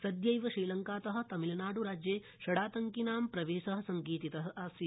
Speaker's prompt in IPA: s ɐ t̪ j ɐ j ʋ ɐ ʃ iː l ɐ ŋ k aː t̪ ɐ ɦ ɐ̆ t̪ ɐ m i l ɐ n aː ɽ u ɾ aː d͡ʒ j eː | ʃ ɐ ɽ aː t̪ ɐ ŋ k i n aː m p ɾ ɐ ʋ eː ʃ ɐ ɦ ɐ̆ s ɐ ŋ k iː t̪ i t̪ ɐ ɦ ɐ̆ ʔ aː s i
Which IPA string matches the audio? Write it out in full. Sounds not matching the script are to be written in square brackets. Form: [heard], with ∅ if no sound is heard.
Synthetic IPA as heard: s ɐ [d̪] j ɐ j ʋ ɐ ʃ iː l ɐ ŋ k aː t̪ ɐ ɦ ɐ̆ t̪ ɐ m i l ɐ n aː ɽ u ɾ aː d͡ʒ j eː | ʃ ɐ ɽ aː t̪ ɐ ŋ k i n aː m p ɾ ɐ ʋ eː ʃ ɐ ɦ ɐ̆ s ɐ ŋ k iː t̪ i t̪ ɐ ɦ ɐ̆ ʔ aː s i